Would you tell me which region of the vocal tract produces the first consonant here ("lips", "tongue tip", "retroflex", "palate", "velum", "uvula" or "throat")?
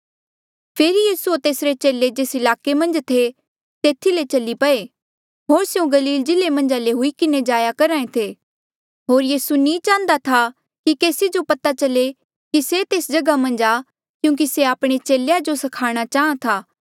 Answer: lips